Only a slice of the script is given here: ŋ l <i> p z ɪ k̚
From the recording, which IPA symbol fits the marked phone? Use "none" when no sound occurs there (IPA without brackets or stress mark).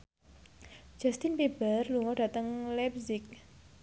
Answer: ɛ